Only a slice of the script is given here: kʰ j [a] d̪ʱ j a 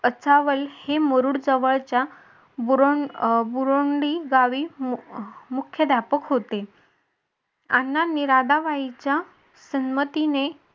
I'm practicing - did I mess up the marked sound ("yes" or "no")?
yes